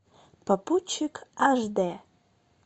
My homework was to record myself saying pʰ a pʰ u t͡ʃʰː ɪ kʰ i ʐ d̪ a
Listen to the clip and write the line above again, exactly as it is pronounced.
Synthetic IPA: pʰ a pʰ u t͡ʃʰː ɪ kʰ a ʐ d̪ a